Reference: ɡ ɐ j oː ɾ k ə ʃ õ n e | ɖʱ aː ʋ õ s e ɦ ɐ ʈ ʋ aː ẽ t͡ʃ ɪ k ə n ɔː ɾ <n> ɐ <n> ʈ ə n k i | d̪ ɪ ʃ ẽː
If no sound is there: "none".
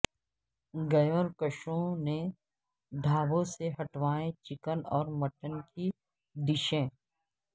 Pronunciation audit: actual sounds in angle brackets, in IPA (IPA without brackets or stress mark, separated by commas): m, none